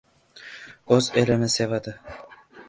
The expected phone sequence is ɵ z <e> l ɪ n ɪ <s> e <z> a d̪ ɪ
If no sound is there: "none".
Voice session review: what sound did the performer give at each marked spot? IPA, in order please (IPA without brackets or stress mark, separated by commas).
e, s, v